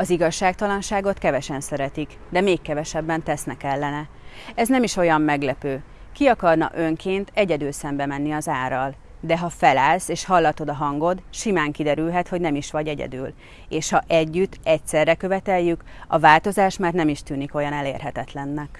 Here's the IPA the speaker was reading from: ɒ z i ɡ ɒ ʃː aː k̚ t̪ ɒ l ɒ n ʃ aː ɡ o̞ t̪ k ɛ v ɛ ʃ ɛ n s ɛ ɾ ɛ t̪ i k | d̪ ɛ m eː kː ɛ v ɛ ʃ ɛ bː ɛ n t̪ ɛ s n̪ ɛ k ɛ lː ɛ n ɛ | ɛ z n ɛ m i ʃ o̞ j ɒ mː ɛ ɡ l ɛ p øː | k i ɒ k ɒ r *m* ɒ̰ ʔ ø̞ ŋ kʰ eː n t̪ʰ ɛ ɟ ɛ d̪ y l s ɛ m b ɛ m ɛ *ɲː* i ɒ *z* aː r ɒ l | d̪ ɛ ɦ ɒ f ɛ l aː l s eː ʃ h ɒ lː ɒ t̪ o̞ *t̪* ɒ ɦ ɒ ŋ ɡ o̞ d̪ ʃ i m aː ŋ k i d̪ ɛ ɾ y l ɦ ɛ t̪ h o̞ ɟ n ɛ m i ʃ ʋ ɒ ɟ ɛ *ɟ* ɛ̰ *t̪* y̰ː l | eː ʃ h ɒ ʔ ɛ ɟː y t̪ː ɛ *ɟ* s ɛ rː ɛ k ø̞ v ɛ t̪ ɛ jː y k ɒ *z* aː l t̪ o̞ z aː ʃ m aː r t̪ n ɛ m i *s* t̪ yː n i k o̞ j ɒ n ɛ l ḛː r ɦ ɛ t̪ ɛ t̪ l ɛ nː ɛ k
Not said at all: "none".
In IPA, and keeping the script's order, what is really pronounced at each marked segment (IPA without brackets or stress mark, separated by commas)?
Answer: n, nː, z, d̪, ɟ, d̪, c, v, ʃ